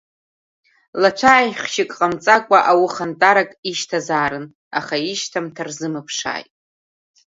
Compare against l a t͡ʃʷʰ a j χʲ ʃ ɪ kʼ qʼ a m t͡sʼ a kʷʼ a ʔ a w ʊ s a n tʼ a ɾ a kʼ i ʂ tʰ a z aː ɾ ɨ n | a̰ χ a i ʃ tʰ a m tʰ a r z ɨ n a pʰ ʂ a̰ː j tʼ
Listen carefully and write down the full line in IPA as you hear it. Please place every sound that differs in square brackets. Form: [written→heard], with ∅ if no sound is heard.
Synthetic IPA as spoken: l a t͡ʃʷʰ a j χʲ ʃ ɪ kʼ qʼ a m t͡sʼ a kʷʼ a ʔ a w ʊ [s→χ] a n tʼ a ɾ a kʼ i [ʂ→ʃ] tʰ a z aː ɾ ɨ n | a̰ χ a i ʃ tʰ a m tʰ a r z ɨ [n→m] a pʰ ʂ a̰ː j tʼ